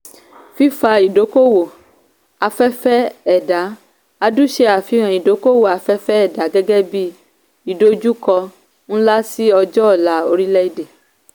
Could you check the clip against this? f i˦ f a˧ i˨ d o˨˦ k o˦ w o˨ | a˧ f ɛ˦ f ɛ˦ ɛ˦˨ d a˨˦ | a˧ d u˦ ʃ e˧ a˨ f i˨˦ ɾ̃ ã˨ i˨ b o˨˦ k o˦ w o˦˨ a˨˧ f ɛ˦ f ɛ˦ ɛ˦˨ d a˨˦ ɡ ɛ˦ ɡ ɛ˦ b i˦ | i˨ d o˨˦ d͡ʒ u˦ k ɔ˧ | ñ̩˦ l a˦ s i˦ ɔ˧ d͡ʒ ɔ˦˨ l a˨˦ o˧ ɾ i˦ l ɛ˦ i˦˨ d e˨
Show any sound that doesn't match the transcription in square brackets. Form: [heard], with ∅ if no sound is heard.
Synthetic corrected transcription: f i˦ f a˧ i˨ d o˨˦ k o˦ w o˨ | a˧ f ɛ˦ f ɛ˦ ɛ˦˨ d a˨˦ | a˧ d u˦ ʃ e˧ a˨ f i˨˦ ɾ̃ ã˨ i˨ [d] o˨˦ k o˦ w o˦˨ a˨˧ f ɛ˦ f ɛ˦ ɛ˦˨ d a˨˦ ɡ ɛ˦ ɡ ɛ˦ b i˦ | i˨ d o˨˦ d͡ʒ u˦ k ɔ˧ | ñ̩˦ l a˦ s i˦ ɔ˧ d͡ʒ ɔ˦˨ l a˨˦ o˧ ɾ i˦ l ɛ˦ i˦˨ d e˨